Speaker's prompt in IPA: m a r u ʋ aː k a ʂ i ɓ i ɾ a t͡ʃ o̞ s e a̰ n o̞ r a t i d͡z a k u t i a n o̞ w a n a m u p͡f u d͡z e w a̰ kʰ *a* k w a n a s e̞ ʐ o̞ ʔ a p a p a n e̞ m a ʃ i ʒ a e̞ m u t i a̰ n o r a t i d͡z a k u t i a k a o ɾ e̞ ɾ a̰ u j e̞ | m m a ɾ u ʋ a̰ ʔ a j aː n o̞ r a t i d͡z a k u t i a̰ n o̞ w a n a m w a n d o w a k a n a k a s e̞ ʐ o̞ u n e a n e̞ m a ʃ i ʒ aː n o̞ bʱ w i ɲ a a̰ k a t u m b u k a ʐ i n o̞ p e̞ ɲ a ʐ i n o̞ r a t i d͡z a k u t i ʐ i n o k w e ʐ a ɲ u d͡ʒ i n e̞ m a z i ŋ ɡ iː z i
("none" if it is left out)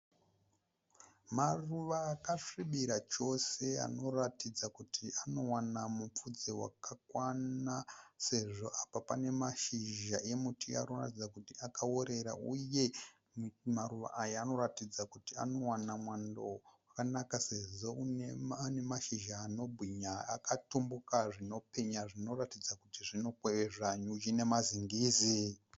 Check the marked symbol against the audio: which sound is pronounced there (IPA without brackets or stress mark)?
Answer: a